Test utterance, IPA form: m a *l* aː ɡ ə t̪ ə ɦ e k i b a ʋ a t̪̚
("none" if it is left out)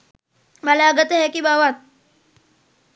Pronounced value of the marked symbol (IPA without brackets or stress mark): l